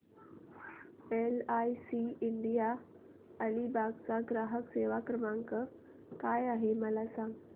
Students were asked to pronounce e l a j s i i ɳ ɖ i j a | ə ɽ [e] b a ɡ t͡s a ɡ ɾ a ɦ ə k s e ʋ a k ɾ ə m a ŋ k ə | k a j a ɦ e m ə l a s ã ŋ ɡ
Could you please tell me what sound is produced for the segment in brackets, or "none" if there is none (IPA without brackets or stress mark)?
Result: i